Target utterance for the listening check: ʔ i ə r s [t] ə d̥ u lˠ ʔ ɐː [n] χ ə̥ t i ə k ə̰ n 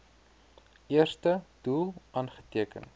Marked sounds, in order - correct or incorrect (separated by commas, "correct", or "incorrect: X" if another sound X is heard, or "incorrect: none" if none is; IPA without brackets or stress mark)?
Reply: correct, correct